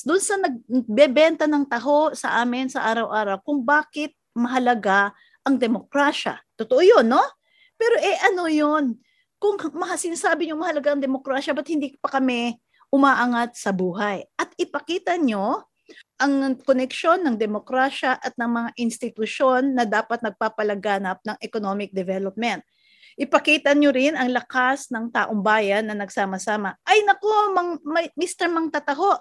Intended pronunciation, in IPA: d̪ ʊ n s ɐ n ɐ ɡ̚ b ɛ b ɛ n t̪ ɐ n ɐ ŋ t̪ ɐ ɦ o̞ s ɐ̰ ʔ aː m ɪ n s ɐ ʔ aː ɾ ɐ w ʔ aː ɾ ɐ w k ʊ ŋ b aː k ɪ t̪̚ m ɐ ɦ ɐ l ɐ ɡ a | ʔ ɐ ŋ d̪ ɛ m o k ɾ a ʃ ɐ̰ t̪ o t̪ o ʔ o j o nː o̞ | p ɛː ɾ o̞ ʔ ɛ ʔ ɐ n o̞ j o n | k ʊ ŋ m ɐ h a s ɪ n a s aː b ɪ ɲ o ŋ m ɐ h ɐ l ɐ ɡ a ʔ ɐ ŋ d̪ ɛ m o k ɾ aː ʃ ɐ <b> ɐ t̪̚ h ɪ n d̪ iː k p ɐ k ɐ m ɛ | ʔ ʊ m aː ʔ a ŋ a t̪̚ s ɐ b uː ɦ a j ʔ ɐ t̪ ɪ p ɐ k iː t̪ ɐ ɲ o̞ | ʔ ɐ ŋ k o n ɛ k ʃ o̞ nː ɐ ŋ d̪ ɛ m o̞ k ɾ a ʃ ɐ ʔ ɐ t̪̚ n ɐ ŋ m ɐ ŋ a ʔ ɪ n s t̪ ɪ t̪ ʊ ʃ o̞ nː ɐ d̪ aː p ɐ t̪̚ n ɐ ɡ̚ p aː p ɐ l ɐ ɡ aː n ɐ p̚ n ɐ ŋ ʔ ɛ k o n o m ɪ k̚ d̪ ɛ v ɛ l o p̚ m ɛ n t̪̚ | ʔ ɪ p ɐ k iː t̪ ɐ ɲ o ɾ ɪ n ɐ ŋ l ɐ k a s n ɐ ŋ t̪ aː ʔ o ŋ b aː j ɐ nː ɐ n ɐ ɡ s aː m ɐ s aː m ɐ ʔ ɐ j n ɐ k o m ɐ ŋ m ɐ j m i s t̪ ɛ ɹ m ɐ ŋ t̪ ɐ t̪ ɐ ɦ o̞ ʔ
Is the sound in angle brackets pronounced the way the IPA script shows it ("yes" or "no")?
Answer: yes